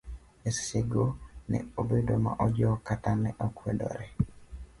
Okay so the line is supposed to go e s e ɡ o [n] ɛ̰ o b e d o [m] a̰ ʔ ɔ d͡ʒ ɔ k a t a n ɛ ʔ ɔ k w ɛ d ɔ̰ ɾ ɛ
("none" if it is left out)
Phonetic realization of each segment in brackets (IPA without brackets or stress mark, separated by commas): n, m